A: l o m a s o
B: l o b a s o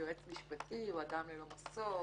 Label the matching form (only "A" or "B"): A